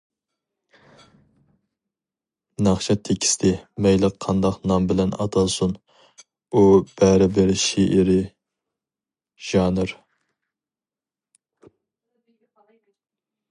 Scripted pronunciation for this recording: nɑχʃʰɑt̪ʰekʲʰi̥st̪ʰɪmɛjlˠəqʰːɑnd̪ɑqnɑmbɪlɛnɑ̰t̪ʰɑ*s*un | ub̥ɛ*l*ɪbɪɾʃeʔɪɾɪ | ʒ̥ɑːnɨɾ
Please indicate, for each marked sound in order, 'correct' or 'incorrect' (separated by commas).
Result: correct, incorrect